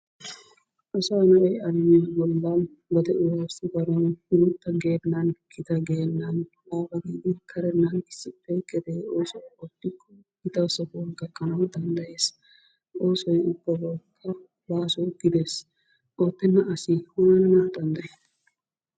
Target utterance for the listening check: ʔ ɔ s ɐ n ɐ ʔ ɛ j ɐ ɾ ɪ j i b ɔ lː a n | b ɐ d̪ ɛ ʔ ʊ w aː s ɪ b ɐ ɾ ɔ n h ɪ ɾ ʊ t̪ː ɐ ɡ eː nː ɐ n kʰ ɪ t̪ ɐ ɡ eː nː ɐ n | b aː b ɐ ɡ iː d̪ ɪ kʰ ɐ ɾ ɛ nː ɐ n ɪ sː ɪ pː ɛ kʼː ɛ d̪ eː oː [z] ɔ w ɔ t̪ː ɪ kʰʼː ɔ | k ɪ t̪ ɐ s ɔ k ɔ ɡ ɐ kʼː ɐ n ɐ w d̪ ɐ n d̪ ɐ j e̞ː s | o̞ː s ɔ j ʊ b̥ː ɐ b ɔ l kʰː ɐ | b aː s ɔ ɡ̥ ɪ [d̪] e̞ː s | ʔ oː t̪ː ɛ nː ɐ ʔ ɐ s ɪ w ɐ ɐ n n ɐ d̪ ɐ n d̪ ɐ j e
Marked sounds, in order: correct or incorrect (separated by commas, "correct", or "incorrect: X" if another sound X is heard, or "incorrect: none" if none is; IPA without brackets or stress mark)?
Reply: incorrect: s, correct